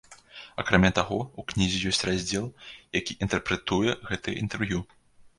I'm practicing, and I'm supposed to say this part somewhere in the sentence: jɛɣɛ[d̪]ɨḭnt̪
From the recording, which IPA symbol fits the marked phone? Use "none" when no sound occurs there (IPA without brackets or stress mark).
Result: t̪